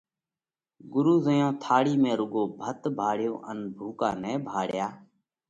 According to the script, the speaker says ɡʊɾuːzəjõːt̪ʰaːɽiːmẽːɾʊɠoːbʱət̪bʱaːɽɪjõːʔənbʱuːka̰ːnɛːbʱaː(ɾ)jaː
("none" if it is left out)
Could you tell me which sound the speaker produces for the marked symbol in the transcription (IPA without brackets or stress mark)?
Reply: ɽ